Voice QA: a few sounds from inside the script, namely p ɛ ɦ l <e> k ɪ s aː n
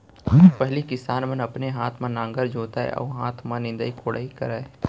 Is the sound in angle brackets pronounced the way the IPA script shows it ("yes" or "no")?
no